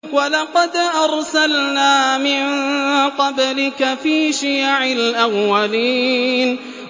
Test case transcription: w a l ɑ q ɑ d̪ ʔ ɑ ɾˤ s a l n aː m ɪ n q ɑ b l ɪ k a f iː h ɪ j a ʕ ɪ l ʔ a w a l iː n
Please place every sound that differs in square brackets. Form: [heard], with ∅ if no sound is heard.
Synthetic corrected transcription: w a l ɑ q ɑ d̪ ʔ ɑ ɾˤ s a l n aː m ɪ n q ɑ b l ɪ k a f iː [ʃ] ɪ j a ʕ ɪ l ʔ a [wː] a l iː n